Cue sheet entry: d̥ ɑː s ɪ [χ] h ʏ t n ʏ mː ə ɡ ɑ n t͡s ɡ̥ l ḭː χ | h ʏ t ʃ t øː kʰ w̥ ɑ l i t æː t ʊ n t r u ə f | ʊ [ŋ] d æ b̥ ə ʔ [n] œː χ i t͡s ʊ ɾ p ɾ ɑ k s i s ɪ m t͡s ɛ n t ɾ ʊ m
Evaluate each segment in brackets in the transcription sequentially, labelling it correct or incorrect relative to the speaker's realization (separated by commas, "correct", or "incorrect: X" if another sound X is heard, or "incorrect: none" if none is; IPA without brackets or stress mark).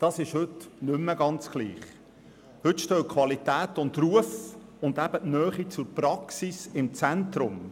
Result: incorrect: ʃ, incorrect: n, correct